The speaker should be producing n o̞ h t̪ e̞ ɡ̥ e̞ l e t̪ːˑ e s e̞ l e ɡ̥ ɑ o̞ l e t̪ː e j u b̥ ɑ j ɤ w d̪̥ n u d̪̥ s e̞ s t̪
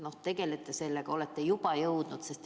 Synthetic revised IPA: n o̞ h t̪ e̞ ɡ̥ e̞ l e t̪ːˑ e s e̞ lː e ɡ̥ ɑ o̞ l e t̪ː e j u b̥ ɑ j ɤ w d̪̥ n u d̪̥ s e̞ s t̪